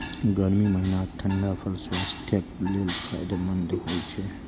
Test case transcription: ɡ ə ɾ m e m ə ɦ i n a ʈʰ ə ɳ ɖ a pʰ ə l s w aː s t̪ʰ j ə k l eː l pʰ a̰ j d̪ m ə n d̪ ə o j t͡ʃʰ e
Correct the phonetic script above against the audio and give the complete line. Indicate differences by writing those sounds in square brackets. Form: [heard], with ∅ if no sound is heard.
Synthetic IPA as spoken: ɡ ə ɾ m [i] m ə ɦ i n a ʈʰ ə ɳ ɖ a pʰ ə l s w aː s t̪ʰ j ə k l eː l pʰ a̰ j d̪ m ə n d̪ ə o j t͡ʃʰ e